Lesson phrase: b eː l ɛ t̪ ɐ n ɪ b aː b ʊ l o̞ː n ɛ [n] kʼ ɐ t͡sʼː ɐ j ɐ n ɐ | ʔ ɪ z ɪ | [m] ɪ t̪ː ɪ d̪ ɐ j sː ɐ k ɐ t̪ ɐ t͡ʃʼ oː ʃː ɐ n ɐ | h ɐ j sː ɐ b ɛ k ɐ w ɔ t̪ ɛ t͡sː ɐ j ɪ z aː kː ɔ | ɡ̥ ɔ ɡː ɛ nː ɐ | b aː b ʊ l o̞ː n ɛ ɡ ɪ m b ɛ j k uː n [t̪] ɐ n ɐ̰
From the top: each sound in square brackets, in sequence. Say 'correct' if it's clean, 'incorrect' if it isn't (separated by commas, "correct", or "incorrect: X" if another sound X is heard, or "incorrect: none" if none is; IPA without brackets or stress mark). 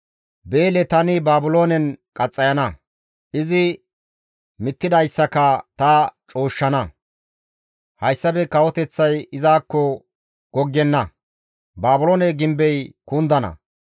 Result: correct, correct, incorrect: d̪